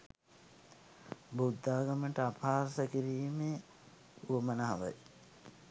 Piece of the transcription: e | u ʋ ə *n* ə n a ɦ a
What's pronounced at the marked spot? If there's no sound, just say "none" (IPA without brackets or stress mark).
m